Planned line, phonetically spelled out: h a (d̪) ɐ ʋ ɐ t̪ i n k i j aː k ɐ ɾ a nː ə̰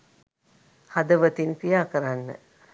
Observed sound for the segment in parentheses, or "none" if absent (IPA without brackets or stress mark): d̪